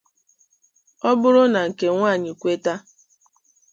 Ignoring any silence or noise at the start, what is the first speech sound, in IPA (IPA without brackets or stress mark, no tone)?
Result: ɔ